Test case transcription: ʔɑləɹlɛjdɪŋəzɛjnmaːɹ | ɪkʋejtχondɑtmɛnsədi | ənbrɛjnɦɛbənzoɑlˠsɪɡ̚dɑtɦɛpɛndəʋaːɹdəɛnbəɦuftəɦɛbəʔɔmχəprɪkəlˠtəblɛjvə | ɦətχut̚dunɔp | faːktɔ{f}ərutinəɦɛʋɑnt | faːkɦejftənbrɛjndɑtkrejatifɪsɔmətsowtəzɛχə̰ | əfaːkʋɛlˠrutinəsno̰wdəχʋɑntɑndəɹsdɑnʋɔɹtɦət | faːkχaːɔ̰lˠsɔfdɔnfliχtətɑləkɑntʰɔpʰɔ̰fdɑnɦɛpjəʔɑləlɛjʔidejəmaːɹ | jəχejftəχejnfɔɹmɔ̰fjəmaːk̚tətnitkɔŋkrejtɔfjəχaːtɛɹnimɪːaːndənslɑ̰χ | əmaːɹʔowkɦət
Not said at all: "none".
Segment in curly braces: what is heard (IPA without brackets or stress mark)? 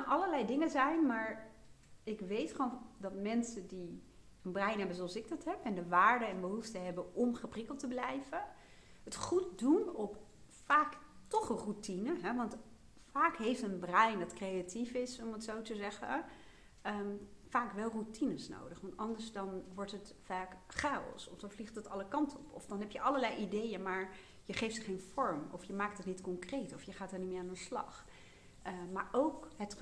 χ